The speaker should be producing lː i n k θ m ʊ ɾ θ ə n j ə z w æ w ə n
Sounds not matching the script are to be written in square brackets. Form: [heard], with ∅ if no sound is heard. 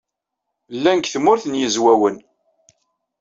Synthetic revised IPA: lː [æ] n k θ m ʊ ɾ θ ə n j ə z w æ w ə n